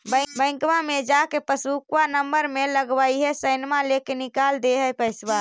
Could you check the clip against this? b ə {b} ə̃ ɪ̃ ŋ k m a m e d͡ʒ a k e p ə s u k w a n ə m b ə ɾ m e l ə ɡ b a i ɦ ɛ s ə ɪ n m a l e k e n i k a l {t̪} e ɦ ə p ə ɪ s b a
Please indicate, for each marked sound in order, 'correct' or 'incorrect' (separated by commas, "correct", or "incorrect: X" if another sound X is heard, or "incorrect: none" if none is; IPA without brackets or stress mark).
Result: correct, incorrect: d̪